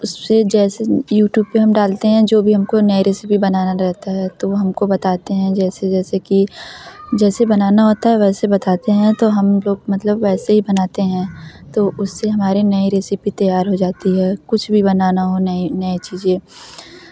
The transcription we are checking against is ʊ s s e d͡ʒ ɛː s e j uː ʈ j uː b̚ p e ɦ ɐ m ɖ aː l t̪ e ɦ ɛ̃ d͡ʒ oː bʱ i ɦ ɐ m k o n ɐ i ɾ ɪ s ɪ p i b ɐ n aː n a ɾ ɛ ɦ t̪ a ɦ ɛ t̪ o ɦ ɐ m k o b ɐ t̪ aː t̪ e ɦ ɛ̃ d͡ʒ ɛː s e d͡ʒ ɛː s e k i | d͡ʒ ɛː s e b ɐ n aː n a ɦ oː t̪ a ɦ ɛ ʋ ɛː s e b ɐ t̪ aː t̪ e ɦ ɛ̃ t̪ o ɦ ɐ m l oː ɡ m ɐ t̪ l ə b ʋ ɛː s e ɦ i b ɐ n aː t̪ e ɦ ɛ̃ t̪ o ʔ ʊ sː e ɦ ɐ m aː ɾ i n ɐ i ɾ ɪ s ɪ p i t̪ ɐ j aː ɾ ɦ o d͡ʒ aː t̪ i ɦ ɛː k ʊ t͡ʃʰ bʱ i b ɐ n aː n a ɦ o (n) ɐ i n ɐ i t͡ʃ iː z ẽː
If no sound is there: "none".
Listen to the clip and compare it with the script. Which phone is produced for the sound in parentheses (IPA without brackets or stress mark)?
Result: n